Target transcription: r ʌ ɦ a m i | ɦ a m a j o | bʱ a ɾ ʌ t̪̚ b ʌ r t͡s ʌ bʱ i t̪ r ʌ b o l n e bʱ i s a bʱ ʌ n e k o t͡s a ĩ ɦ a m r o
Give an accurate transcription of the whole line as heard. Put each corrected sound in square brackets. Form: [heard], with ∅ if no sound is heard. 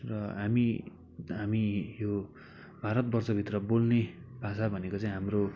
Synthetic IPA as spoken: r ʌ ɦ a m i | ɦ a m [i] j o | bʱ a ɾ ʌ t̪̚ b ʌ r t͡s ʌ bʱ i t̪ r ʌ b o l n e bʱ [a] s a bʱ ʌ n e k o t͡s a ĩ ɦ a m r o